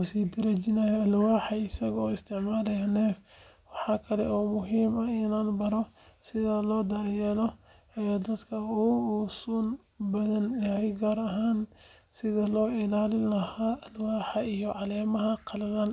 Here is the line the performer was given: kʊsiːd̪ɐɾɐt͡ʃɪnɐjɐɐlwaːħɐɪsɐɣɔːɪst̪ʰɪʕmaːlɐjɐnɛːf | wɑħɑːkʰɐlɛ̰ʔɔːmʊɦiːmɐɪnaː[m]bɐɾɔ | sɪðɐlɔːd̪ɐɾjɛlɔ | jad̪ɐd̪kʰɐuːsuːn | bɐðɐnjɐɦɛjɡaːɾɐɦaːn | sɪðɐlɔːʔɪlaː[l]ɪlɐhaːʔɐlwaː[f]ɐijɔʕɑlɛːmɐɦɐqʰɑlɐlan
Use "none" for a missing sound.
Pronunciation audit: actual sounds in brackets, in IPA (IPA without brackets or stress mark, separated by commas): n, l, ħ